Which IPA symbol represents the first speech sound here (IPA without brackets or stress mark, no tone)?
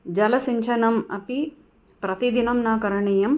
d͡ʒ